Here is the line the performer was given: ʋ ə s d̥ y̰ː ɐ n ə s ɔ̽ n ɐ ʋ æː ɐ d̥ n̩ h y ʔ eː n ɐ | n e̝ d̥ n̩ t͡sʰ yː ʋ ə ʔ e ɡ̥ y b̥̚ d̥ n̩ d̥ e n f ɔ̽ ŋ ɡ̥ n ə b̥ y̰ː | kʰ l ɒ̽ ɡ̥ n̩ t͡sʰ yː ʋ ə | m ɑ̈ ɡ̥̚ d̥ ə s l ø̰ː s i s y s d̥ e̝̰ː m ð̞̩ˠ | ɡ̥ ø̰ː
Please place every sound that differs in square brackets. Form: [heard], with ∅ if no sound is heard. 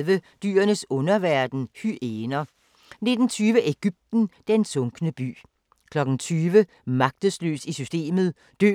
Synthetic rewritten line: ʋ ə [∅] d̥ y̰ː ɐ n ə s ɔ̽ n ɐ ʋ [æ] ɐ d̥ n̩ h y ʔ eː n ɐ | n e̝ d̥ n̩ t͡sʰ yː ʋ ə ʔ e ɡ̥ y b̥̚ d̥ n̩ d̥ e n [s] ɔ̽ ŋ ɡ̥ n ə b̥ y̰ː | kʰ l ɒ̽ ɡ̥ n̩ t͡sʰ yː ʋ ə | m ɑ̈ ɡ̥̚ d̥ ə s l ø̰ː s i s y s d̥ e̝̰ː m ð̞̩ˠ | [d̥] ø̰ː